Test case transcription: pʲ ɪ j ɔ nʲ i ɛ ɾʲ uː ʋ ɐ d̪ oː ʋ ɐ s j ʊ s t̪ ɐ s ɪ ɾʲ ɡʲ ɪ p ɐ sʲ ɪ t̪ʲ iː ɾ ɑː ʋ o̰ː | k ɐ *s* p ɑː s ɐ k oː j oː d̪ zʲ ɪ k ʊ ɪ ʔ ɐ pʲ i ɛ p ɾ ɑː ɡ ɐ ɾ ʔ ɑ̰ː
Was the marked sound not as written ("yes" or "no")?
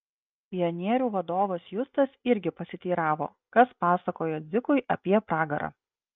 no